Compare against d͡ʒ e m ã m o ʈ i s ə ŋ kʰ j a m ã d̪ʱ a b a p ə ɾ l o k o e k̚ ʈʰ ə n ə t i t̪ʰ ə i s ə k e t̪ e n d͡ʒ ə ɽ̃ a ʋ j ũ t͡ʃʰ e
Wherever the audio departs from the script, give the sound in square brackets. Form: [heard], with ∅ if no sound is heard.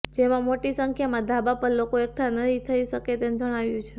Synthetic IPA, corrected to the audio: d͡ʒ e m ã m o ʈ i s ə ŋ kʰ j a m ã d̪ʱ a b a p ə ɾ l o k o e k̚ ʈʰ [a] n ə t i t̪ʰ ə i [ʃ] ə k e t̪ e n d͡ʒ ə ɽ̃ a ʋ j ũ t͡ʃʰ e